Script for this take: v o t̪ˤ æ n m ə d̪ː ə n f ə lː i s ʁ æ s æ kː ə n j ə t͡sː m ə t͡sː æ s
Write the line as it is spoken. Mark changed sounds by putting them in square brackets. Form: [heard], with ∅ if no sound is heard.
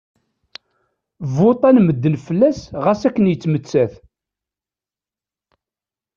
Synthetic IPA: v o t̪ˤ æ n m ə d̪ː ə n f ə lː [æ] s ʁ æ s æ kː ə n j ə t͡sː m ə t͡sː æ [θ]